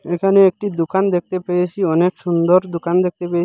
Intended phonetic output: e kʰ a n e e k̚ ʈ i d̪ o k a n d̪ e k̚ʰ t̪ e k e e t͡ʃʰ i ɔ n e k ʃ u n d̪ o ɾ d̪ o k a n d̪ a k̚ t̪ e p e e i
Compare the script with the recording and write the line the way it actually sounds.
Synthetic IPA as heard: e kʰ a n e e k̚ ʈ i d̪ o k a n d̪ e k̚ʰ t̪ e p e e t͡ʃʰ i ɔ n e k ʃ u n d̪ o ɾ d̪ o k a n d̪ e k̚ t̪ e p e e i